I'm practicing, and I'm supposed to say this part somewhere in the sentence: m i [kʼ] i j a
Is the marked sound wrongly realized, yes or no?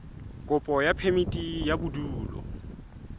yes